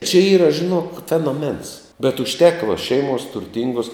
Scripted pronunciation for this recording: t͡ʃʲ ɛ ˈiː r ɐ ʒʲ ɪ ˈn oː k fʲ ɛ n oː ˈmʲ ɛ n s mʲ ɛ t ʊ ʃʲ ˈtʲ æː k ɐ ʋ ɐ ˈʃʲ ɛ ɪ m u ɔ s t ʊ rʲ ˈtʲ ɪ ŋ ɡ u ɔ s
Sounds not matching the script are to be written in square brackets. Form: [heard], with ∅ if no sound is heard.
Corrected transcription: t͡ʃʲ ɛ ˈiː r ɐ ʒʲ ɪ ˈn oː k fʲ ɛ n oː ˈmʲ ɛ n s [bʲ] ɛ t ʊ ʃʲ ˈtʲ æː k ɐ ʋ ɐ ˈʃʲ ɛ ɪ m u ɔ s t ʊ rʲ ˈtʲ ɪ ŋ ɡ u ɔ s